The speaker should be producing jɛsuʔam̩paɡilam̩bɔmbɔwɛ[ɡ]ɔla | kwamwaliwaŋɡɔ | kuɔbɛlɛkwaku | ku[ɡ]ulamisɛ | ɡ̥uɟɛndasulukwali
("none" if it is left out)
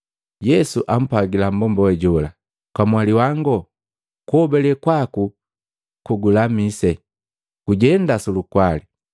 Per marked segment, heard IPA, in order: ɟ, ɡ

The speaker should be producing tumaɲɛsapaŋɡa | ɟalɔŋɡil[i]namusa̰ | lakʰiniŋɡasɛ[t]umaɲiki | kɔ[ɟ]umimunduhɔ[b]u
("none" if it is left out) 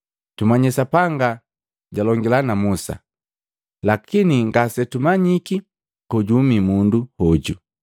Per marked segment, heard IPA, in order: a, t, ɟ, ɟ

